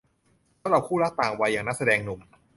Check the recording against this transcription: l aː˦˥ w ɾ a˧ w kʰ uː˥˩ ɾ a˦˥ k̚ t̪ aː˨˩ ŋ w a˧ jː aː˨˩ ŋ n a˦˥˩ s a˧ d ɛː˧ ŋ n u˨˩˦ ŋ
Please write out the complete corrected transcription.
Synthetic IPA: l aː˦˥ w ɾ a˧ w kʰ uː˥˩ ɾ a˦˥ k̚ t̪ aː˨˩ ŋ w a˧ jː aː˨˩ ŋ n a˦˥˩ s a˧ d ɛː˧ ŋ n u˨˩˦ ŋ